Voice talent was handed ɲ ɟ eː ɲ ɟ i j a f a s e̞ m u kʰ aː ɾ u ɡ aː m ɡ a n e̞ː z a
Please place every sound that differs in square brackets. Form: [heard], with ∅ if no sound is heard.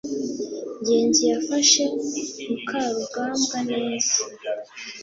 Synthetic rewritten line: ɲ ɟ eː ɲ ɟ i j a f a [ʃ] e̞ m u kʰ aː ɾ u ɡ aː m ɡ a n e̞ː z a